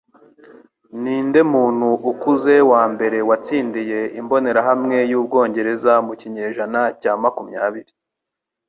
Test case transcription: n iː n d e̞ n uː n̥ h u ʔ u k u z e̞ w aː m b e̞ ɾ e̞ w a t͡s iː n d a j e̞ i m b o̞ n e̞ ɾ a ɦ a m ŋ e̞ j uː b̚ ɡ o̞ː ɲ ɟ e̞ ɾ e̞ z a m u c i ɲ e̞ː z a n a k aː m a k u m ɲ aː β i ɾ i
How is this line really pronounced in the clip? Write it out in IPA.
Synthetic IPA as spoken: n iː n d e̞ m uː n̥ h u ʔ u k u z e̞ w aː m b e̞ ɾ e̞ w a t͡s iː n d i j e̞ i m b o̞ n e̞ ɾ a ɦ a m ŋ e̞ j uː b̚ ɡ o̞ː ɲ ɟ e̞ ɾ e̞ z a m u c i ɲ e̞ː ʒ a n a c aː m a k u m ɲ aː β i ɾ i

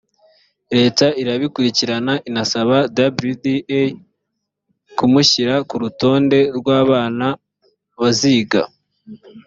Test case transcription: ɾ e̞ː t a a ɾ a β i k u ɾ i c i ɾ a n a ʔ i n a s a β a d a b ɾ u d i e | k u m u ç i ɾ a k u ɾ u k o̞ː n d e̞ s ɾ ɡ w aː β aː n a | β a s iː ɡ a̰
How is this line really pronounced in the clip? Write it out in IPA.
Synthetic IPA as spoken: ɾ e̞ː t a i ɾ a β i k u ɾ i c i ɾ a n a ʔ i n a s a β a d a b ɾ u d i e | k u m u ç i ɾ a k u ɾ u t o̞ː n d e̞ ɾ ɡ w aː β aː n a | β a z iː ɡ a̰

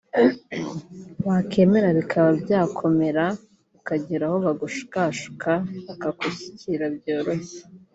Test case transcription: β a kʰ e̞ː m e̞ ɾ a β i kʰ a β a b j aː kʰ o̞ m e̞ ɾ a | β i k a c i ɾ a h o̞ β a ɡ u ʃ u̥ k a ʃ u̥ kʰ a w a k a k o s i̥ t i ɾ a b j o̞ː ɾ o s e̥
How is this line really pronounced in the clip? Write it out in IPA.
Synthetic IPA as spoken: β a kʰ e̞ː m e̞ ɾ a β i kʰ a β a b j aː kʰ o̞ m e̞ ɾ a | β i k a ɟ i ɾ a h o̞ β a ɡ u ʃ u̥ k a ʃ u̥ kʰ a β a k a k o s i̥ c i ɾ a b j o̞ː ɾ o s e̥

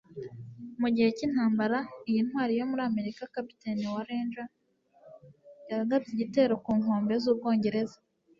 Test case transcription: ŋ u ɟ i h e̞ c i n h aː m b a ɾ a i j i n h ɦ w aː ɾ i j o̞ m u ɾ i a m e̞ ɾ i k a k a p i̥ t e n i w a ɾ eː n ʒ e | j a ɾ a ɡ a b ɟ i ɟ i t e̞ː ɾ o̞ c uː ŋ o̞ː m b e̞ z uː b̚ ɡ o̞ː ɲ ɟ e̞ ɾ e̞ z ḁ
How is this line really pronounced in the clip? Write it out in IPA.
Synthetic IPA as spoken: m u ɟ i h e̞ c i n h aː m b a ɾ a i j i n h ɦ w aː ɾ i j o̞ m u ɾ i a m e̞ ɾ i k a k a p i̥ t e n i w a ɾ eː n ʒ a | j a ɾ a ɡ a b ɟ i ɟ i t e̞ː ɾ o̞ k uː ŋ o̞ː m b e̞ z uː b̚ ɡ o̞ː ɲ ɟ e̞ ɾ e̞ z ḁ

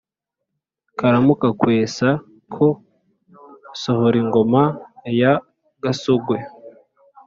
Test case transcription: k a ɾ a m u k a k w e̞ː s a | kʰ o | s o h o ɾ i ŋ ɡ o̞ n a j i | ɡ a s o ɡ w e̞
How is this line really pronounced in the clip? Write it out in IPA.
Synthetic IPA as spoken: k a ɾ a m u k a k w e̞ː s a | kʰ o | s o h o ɾ i ŋ ɡ o̞ m a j a | ɡ a s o ɡ w e̞

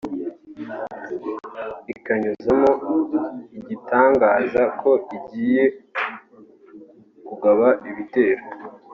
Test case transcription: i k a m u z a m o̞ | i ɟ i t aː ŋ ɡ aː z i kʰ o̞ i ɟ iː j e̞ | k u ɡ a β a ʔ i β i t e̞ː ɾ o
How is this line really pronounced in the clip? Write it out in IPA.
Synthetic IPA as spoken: i k a ɲ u z a m o̞ | i ɟ i t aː ŋ ɡ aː z a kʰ o̞ i ɟ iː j e̞ | k u ɡ a β a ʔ i β i t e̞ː ɾ o

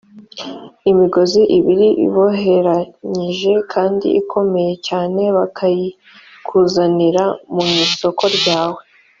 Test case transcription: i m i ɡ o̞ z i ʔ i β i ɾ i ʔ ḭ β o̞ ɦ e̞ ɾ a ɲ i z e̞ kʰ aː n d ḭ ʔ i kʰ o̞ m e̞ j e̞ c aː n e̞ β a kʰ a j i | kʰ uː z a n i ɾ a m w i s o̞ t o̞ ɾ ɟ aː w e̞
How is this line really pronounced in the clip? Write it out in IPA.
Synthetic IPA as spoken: i m i ɡ o̞ z i ʔ i β i ɾ i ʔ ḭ β o̞ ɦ e̞ ɾ a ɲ i ʒ e̞ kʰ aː n d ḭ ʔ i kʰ o̞ m e̞ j e̞ c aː n e̞ β a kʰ a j i | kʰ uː z a n i ɾ a m u i s o̞ k o̞ ɾ ɟ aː w e̞

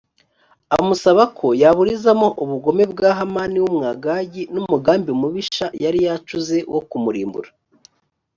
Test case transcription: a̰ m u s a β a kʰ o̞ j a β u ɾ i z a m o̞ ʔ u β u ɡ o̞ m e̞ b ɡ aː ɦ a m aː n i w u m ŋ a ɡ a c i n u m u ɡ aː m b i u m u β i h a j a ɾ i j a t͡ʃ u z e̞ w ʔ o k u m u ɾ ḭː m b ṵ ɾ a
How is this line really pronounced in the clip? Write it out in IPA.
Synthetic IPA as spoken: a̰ m u s a β a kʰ o̞ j a β u ɾ i z a m o̞ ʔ u β u ɡ o̞ m e̞ b ɡ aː ɦ a m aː n i w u m ŋ a ɡ a ɟ i n u m u ɡ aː m b i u m u β i ʃ a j a ɾ i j a t͡ʃ u z e̞ w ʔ o k u m u ɾ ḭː m b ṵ ɾ a

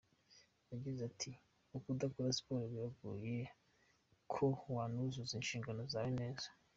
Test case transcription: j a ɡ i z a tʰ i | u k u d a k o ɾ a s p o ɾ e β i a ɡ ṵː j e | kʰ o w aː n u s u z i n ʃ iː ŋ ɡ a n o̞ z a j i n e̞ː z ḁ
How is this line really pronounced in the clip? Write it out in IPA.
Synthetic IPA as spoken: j a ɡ i z a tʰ i | u k u d a k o ɾ a s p o ɾ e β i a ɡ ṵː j e | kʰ o w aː n u z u z i n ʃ iː ŋ ɡ a n o̞ z a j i n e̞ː z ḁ

